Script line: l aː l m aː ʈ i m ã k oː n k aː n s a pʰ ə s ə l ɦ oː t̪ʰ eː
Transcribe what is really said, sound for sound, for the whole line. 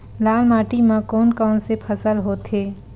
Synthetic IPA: l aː l m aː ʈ i m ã k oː n k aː n s e pʰ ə s ə l ɦ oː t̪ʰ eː